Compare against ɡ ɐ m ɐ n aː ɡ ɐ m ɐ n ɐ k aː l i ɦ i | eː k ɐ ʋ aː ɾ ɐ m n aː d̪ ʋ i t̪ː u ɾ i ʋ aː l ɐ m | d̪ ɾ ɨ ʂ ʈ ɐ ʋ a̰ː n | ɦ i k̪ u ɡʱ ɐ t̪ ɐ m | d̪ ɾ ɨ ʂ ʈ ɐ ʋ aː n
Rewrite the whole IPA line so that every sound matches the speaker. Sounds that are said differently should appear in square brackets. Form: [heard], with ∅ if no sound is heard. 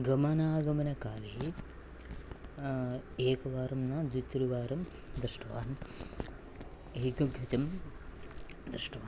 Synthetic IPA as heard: ɡ ɐ m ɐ n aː ɡ ɐ m ɐ n ɐ k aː l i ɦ i | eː k ɐ ʋ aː ɾ ɐ m n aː d̪ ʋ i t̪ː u ɾ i ʋ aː [ɾ] ɐ m | d̪ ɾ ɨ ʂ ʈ ɐ ʋ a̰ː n | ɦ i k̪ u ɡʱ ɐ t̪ ɐ m | d̪ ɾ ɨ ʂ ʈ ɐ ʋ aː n